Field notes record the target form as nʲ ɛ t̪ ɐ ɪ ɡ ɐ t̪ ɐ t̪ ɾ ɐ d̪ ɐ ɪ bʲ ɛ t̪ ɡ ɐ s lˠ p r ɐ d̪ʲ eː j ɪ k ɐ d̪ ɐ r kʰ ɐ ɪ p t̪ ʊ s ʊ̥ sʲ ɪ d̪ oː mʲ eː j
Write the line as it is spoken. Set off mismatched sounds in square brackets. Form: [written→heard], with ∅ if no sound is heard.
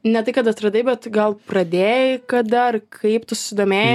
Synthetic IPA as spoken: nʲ ɛ t̪ ɐ ɪ [ɡ→k] ɐ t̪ ɐ t̪ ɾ ɐ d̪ ɐ ɪ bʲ ɛ t̪ ɡ ɐ [s→∅] lˠ p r ɐ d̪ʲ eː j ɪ k ɐ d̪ ɐ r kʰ ɐ ɪ p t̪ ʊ s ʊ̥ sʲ ɪ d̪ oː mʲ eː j